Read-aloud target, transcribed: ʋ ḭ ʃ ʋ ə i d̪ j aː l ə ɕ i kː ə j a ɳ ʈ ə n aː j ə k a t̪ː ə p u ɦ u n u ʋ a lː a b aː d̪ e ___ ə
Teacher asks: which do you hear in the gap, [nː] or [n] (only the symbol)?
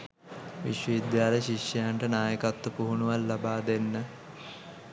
nː